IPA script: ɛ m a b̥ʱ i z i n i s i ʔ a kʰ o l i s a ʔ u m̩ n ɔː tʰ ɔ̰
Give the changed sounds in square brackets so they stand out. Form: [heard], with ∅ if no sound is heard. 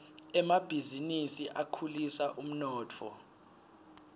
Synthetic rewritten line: ɛ m a b̥ʱ i z i n i s i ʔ a kʰ [u] l i s a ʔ u m̩ n ɔː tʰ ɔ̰